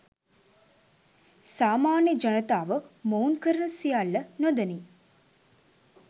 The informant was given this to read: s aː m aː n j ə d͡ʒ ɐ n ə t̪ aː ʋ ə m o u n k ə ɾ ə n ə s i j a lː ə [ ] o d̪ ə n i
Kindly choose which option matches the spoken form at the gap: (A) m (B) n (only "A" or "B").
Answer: B